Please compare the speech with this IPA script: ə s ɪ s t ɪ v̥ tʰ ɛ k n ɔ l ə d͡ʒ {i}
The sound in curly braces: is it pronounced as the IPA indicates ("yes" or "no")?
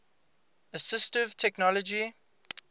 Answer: yes